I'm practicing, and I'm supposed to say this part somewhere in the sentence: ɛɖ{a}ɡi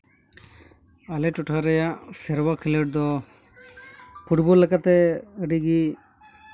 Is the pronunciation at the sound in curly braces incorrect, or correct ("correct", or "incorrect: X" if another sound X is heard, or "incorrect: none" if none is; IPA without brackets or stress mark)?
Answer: incorrect: i